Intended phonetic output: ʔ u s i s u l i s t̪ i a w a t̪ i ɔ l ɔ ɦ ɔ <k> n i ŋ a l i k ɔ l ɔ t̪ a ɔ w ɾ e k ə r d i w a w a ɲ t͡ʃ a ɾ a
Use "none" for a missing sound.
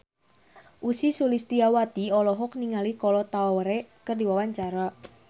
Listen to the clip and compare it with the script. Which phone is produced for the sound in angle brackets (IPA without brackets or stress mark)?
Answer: k